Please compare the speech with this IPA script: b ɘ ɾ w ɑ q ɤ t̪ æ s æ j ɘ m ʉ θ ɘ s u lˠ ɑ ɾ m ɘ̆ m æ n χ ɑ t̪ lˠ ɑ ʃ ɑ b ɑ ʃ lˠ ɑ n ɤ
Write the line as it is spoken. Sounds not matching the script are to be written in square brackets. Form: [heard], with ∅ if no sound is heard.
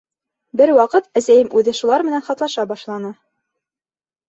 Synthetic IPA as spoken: b ɘ ɾ w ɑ q ɤ t̪ æ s æ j ɘ m ʉ [ð] ɘ [ʃ] u lˠ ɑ ɾ m ɘ̆ [n] æ n χ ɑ t̪ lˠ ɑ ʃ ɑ b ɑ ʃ lˠ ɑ n ɤ